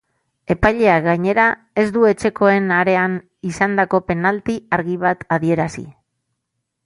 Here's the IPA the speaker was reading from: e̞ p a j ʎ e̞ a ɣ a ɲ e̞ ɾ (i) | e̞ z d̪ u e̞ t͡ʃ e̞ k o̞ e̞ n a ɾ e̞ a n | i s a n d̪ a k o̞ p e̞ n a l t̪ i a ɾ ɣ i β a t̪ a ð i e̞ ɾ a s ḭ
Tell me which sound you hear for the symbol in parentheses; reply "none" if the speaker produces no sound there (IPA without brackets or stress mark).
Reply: a